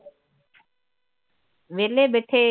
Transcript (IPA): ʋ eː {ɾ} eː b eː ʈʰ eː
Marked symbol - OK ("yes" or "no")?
no